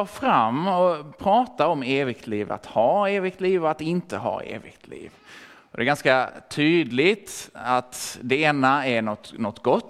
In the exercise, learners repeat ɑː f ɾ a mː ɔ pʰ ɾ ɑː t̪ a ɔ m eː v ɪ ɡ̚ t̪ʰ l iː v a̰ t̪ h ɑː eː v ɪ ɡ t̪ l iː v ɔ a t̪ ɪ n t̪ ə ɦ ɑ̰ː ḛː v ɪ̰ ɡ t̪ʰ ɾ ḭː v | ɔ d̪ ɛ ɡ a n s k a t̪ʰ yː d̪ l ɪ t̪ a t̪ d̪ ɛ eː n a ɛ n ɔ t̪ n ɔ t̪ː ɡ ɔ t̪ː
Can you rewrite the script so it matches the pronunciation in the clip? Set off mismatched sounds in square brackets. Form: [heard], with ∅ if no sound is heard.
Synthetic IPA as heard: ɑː f ɾ a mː ɔ pʰ ɾ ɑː t̪ a ɔ m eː v ɪ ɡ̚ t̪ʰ l iː v a̰ t̪ h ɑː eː v ɪ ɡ t̪ l iː v ɔ a t̪ ɪ n t̪ ə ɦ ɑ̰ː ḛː v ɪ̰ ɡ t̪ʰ [l] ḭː v | ɔ d̪ ɛ ɡ a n s k a t̪ʰ yː d̪ l ɪ t̪ a t̪ d̪ ɛ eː n a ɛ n ɔ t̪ n ɔ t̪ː ɡ ɔ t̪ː